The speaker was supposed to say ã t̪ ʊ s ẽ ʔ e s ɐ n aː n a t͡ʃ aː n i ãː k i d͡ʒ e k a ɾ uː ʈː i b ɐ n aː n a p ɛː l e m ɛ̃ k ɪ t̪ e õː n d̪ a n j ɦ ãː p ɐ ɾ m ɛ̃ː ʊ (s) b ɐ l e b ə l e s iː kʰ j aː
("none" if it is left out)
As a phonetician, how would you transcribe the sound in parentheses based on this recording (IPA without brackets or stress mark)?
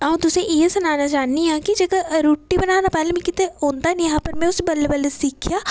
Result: s